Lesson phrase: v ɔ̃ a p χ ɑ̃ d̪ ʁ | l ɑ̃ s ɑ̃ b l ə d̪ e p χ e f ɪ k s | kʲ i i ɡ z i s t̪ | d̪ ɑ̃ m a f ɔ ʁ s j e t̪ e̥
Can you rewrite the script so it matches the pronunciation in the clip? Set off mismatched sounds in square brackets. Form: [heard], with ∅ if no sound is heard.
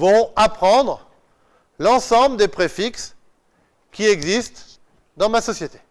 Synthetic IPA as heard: v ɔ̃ a p χ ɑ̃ d̪ ʁ | l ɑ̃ s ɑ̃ b l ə d̪ e p χ e f [i] k s | kʲ i [ɛ] ɡ z i s t̪ | d̪ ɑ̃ m a [s] ɔ [∅] s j e t̪ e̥

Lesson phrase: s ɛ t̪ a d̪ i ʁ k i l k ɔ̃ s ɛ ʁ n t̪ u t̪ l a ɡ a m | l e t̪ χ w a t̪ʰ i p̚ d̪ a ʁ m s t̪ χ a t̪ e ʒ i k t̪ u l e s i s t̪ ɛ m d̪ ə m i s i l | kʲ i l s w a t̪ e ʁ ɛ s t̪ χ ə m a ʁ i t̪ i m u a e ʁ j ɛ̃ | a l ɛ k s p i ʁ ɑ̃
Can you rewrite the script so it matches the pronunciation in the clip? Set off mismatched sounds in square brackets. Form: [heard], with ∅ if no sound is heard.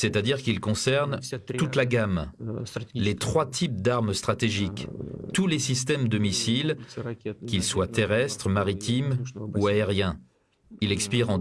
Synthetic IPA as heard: s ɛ t̪ a d̪ i ʁ k i l k ɔ̃ s ɛ ʁ n t̪ u t̪ l a ɡ a m | l e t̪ χ w a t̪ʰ i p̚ d̪ a ʁ m s t̪ χ a t̪ e ʒ i k t̪ u l e s i s t̪ ɛ m d̪ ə m i s i l | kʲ i l s w a t̪ e ʁ ɛ s t̪ χ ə m a ʁ i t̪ i m u a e ʁ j ɛ̃ | [i] l ɛ k s p i ʁ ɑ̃

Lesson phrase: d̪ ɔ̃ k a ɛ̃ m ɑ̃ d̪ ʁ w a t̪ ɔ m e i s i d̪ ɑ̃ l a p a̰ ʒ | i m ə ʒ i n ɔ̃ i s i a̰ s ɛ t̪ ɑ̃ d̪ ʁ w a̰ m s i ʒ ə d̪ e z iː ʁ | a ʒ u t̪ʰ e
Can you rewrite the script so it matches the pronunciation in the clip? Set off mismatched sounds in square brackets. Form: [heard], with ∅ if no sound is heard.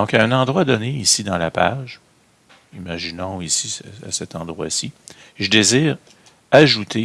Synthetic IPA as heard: d̪ ɔ̃ k a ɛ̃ [n] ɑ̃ d̪ ʁ w a [d̪] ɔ [n] e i s i d̪ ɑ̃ l a p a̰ ʒ | i m [a] ʒ i n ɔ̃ i s i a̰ s ɛ t̪ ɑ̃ d̪ ʁ w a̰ [∅] s i ʒ ə d̪ e z iː ʁ | a ʒ u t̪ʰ e

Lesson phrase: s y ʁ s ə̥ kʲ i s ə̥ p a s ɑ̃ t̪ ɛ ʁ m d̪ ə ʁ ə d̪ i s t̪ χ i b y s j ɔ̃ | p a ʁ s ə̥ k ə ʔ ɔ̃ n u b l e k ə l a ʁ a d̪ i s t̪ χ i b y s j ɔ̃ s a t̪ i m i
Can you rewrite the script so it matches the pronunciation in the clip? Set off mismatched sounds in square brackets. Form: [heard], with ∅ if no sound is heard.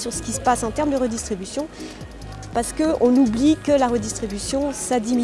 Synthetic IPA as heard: s y ʁ s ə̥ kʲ i s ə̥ p a s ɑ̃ t̪ ɛ ʁ m d̪ ə ʁ ə d̪ i s t̪ χ i b y s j ɔ̃ | p a ʁ s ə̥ k ə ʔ ɔ̃ n u b l [i] k ə l a ʁ [ə] d̪ i s t̪ χ i b y s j ɔ̃ s a [d̪] i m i

